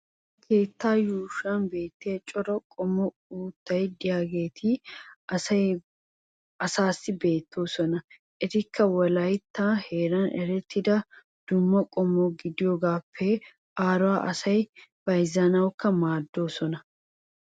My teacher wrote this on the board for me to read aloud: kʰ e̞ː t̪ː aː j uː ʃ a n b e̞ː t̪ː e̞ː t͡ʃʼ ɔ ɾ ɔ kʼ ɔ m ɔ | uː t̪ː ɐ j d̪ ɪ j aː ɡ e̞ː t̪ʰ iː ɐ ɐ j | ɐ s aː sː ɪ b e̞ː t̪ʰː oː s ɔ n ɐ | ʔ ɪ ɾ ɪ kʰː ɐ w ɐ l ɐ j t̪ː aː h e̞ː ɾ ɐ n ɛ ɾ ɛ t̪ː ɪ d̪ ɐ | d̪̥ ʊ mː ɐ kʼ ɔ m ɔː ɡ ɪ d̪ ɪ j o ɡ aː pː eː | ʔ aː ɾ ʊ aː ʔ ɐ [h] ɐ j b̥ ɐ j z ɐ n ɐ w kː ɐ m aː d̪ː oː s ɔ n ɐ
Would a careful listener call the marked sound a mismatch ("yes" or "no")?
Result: yes